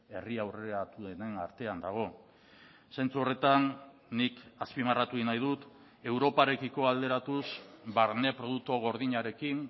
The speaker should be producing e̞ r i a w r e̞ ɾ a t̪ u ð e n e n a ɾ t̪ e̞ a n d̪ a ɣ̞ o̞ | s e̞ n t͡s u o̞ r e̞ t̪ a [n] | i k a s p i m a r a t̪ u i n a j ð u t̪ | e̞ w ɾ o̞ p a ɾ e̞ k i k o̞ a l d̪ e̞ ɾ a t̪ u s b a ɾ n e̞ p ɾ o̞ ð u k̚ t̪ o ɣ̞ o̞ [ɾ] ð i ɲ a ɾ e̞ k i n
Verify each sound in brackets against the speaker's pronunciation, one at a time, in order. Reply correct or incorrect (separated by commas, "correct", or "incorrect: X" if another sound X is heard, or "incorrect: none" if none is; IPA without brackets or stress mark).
incorrect: nː, correct